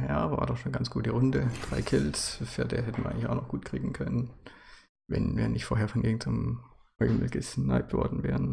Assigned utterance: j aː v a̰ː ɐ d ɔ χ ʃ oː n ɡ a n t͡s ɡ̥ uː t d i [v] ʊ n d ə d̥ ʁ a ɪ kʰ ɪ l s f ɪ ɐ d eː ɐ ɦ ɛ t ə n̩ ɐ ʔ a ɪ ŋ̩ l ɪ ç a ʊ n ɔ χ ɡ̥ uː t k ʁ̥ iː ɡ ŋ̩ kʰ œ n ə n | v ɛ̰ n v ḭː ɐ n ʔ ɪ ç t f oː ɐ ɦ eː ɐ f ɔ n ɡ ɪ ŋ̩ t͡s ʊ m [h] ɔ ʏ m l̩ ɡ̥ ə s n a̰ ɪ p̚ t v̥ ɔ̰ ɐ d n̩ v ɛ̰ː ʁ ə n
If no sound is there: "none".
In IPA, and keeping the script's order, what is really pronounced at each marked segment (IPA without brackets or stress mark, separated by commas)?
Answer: ʁ, h